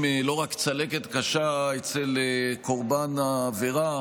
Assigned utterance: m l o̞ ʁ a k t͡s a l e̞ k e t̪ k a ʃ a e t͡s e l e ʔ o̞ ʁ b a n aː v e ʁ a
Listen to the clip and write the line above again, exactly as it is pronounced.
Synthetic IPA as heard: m l o̞ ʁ a k t͡s a l e̞ k e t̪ k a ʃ a e t͡s e l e k o̞ ʁ b a n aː v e ʁ a